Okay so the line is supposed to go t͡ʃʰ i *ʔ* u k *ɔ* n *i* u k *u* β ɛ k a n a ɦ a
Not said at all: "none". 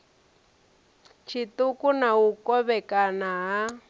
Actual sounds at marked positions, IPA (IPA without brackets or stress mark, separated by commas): t, u, a, ɔ